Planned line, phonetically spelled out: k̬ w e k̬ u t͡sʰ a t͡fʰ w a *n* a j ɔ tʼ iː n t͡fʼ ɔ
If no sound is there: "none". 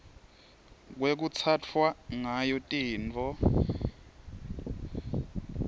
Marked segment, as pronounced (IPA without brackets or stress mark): ŋ